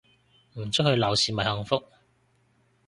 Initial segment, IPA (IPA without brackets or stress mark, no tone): m̩